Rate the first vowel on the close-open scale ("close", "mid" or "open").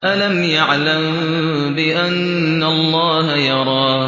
open